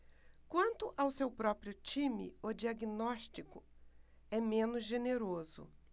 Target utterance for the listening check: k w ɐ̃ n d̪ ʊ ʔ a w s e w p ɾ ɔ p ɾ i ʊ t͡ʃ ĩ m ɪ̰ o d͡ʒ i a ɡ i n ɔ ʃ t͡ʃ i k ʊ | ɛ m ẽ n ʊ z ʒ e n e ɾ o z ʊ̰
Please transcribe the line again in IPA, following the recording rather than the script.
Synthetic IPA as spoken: k w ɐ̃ n t̪ ʊ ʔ a w s e w p ɾ ɔ p ɾ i ʊ t͡ʃ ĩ m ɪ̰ o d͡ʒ i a ɡ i n ɔ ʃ t͡ʃ i k ʊ | ɛ m ẽ n ʊ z ʒ e n e ɾ o z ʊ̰